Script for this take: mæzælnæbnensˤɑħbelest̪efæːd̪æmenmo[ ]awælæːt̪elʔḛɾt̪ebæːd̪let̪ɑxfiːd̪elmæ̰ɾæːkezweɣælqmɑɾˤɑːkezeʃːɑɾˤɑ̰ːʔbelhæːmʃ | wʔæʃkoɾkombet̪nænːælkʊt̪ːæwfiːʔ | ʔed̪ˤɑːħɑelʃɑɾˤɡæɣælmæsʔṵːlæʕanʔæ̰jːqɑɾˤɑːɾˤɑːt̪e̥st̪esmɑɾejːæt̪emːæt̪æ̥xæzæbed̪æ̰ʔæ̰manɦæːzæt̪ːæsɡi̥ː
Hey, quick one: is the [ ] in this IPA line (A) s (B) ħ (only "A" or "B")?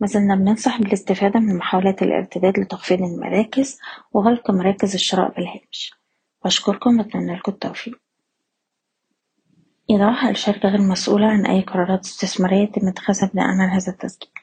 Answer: B